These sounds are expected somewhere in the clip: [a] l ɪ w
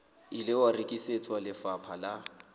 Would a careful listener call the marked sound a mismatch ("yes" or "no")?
yes